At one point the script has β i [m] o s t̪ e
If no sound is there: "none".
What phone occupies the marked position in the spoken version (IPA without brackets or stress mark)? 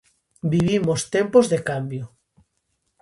m